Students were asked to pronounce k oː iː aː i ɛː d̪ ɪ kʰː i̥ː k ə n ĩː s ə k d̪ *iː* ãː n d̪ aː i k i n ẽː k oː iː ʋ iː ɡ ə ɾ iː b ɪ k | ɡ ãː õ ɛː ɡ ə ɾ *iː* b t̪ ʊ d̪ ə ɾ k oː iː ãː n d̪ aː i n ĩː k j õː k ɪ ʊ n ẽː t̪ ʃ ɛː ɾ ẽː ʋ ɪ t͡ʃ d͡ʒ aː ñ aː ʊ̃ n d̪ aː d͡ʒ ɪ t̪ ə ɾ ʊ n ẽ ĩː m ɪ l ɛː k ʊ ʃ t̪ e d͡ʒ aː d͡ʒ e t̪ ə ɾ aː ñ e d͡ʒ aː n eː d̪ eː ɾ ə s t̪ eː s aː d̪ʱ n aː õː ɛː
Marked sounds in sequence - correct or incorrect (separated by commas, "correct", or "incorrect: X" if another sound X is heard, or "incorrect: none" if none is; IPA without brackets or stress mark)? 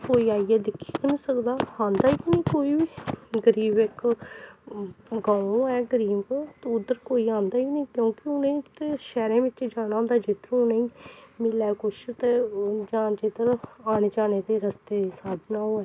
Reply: incorrect: aː, correct